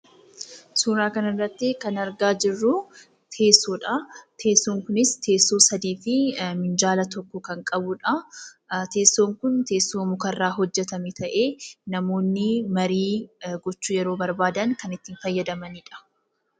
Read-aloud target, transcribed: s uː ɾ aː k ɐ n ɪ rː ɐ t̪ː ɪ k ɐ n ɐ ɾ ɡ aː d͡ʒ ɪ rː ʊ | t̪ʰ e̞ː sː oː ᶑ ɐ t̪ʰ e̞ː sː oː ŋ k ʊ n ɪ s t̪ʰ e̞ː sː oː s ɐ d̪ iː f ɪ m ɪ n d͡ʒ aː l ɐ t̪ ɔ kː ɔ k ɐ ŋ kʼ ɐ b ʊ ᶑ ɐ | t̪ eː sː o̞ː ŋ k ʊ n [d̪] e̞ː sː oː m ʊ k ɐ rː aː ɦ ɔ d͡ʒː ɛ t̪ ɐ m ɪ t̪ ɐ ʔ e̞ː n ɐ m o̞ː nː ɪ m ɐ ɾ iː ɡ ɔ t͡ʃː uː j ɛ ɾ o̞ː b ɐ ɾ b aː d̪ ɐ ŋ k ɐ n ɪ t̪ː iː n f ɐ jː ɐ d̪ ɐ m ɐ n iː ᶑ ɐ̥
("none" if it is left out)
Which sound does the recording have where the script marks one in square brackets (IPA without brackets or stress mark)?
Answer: t̪